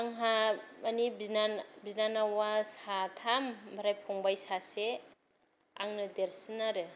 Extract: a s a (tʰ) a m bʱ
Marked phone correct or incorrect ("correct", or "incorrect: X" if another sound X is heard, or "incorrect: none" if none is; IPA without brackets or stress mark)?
correct